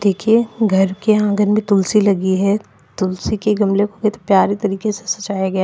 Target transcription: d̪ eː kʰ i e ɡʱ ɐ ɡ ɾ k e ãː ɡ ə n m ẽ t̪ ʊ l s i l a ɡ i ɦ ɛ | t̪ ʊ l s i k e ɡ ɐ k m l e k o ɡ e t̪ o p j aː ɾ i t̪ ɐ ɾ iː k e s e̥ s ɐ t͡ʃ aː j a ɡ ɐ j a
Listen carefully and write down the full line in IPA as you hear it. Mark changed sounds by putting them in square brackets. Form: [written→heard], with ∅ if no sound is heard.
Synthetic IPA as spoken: d̪ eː kʰ i e ɡʱ ɐ [ɡ→∅] ɾ k e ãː ɡ ə n m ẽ t̪ ʊ l s i l [a→ɐ] ɡ i ɦ ɛ | t̪ ʊ l s i k e ɡ ɐ [k→∅] m l e k o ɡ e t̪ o p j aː ɾ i t̪ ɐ ɾ iː k e s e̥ s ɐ t͡ʃ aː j a ɡ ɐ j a